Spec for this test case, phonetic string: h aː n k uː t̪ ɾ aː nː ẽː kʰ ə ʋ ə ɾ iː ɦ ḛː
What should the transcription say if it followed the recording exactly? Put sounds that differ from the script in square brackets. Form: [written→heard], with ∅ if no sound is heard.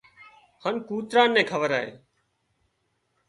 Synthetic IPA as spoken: h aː n k uː t̪ ɾ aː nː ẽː kʰ ə ʋ ə ɾ [iː→aː] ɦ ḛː